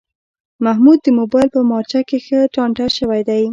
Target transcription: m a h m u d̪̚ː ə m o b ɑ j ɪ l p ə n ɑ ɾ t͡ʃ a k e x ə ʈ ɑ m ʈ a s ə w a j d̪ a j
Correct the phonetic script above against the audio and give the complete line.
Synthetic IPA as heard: m a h m u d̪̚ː ə m o b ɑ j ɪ l p ə m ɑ ɾ t͡ʃ a k e x ə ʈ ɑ ɳ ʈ a ʃ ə w a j d̪ a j